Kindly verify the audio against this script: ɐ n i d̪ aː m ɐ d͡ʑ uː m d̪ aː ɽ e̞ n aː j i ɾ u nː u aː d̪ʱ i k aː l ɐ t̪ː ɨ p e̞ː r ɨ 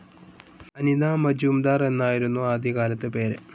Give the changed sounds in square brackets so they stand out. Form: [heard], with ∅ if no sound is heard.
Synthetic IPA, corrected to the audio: ɐ n i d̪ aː m ɐ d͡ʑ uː m d̪ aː [r] e̞ [nː] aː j i ɾ u nː u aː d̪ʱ i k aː l ɐ t̪ː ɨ p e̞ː [ɾ] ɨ